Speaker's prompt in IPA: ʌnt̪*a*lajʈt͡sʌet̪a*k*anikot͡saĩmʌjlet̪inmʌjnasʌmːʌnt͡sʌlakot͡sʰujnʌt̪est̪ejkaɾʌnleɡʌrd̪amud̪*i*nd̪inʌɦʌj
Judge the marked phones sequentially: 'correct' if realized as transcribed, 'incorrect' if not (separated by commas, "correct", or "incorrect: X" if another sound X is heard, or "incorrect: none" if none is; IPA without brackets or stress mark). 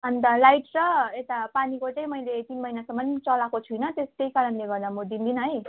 incorrect: ʌ, incorrect: p, correct